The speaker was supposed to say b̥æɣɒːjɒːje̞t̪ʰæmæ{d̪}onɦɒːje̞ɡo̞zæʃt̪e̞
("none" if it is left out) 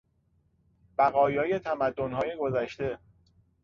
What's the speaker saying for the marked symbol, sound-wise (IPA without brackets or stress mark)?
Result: d̪ː